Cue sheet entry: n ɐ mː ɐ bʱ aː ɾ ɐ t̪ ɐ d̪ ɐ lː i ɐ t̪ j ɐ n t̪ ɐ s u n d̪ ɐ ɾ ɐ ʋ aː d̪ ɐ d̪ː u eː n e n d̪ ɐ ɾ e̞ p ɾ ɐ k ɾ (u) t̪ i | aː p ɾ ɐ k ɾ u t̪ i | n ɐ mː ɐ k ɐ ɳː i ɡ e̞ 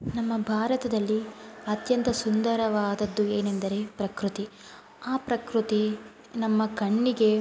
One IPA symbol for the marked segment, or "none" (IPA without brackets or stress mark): u